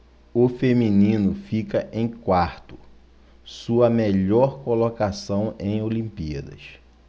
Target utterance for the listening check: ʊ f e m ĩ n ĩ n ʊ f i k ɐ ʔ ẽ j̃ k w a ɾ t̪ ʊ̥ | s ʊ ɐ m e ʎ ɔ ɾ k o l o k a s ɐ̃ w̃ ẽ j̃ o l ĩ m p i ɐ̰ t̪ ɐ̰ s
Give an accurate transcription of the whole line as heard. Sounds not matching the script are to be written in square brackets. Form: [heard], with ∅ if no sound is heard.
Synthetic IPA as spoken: ʊ f e m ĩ n ĩ n ʊ f i k ɐ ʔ ẽ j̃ k w a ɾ t̪ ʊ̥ | s [u] ɐ m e ʎ ɔ ɾ k o l o k a s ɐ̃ w̃ ẽ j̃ o l ĩ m p i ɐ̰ [d̪] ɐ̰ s